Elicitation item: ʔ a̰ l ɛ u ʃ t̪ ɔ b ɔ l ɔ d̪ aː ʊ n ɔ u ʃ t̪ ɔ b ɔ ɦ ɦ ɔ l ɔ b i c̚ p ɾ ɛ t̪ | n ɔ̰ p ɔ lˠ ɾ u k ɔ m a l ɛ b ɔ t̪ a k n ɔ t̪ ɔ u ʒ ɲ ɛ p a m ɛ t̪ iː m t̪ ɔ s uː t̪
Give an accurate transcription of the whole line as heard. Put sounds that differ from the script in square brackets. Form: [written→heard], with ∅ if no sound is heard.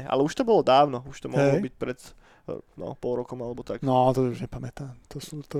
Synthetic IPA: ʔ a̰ l ɛ u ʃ t̪ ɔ b ɔ l ɔ d̪ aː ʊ n ɔ u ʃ t̪ ɔ [b→m] ɔ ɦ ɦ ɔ l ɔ b i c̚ p ɾ ɛ t̪ | n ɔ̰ p ɔ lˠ ɾ [u→ɔ] k ɔ m a l ɛ b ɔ t̪ a k n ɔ t̪ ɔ u ʒ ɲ ɛ p a m ɛ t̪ [iː→aː] m t̪ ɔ s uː t̪